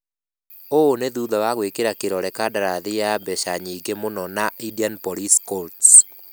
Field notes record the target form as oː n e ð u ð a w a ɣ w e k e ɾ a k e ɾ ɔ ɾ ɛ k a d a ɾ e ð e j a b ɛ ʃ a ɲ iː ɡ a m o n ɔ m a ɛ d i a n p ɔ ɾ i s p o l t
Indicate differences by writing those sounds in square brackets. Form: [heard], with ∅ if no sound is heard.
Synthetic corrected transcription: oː n e ð u ð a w a ɣ w e k e ɾ a k e ɾ ɔ ɾ ɛ k a d a ɾ [a] ð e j a b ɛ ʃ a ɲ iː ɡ [e] m o n ɔ [n] a [i] d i a n p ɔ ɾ i s [k] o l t